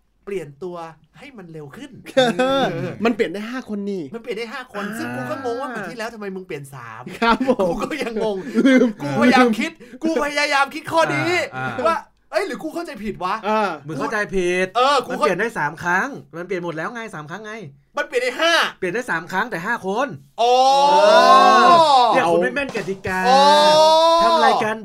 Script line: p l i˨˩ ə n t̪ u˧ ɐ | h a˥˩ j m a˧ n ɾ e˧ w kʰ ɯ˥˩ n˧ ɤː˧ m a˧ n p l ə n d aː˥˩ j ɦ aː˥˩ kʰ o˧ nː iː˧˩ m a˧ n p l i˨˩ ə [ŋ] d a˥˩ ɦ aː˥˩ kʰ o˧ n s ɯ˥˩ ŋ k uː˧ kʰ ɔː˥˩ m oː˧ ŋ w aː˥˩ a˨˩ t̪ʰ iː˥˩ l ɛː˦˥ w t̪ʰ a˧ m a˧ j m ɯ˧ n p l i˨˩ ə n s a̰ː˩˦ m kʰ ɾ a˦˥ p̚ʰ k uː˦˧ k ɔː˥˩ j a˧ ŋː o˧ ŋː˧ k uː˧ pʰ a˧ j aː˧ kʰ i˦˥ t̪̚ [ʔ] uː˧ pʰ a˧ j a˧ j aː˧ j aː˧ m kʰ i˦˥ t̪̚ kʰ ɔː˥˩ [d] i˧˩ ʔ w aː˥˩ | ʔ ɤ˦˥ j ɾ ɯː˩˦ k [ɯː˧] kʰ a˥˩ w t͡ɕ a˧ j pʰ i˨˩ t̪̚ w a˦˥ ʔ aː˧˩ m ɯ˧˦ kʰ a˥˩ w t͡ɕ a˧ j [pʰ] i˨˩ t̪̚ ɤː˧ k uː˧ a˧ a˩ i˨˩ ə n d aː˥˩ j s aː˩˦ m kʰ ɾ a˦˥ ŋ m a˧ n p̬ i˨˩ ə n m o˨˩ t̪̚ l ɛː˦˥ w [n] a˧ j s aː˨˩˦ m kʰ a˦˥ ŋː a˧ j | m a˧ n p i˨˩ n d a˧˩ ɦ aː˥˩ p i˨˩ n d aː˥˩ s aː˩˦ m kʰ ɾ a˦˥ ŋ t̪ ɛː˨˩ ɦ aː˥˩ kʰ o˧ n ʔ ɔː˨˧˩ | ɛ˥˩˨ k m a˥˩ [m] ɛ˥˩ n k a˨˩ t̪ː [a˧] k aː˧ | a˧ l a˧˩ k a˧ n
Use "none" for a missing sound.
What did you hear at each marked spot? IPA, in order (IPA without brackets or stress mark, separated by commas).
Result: n, k, d, uː˧, pʰ, ŋ, m, i˧